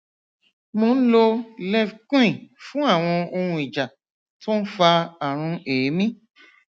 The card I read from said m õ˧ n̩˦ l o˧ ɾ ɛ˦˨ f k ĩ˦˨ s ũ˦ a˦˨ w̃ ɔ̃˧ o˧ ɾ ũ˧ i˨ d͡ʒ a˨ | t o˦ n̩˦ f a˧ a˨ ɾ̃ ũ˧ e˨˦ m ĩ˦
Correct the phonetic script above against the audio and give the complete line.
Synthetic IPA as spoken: m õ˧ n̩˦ l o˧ l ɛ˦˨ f k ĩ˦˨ f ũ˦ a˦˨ w̃ ɔ̃˧ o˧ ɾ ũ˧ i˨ d͡ʒ a˨ | t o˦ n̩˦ f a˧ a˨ ɾ̃ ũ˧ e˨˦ m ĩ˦